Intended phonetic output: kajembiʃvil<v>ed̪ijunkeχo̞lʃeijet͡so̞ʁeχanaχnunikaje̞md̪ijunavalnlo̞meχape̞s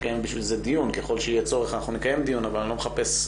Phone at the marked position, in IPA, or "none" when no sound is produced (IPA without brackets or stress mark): z